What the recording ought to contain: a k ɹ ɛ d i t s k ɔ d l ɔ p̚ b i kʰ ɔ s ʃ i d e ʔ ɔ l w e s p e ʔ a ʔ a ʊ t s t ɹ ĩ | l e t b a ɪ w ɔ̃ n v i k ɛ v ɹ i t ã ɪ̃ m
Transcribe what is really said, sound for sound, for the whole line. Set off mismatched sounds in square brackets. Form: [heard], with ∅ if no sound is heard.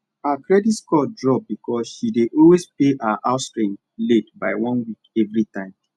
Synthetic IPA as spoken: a k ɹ ɛ d i t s k ɔ d [ɹ] ɔ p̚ b i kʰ ɔ s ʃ i d e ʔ ɔ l w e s p e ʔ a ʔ a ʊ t s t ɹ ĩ | l e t b a ɪ w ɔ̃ n [w] i k ɛ v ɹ i t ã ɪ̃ m